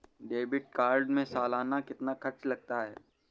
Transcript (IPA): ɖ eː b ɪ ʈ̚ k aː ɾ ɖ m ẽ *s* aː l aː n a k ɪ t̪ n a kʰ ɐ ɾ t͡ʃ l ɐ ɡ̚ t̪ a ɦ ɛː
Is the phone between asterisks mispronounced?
no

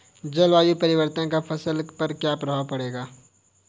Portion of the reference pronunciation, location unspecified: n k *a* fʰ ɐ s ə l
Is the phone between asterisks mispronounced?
no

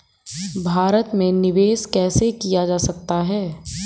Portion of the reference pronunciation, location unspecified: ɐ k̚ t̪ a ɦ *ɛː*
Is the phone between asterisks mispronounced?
no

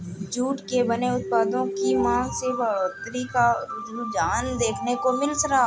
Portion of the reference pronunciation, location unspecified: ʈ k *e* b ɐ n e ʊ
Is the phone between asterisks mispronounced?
no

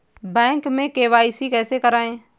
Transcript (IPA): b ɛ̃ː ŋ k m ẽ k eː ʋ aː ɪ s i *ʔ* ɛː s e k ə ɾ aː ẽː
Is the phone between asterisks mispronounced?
yes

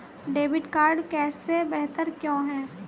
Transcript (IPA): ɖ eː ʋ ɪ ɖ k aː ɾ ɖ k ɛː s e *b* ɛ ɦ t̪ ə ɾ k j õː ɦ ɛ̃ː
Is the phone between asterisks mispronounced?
no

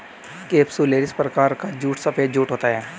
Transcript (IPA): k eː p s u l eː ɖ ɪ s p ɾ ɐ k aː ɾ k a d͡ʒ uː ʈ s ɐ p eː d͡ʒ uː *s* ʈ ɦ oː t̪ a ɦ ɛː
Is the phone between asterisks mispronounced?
yes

